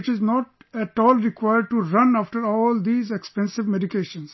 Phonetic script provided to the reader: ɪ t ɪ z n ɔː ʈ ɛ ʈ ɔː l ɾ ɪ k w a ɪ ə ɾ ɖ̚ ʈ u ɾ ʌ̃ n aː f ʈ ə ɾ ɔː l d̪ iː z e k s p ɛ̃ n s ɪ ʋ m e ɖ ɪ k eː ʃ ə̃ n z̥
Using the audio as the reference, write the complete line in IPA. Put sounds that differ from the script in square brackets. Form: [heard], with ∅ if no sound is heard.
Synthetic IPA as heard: ɪ [t͡ʃ] ɪ z n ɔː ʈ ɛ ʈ ɔː l ɾ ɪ k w a ɪ ə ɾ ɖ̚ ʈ u ɾ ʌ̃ n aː f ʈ ə ɾ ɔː l d̪ iː z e k s p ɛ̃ n s ɪ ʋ m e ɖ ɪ k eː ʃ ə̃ n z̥